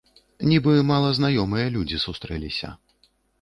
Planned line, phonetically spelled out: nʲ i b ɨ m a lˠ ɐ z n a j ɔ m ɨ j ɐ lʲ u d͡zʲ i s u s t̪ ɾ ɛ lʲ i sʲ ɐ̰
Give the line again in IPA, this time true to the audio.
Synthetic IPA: nʲ i b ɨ m a lˠ ɐ z n a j ɔ m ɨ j ɐ lʲ u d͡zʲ i s u s t̪ ɾ ɛ lʲ i sʲ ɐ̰